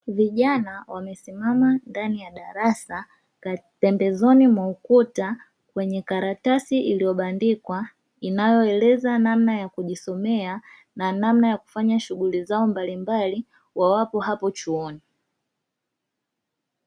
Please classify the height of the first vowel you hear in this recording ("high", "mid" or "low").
high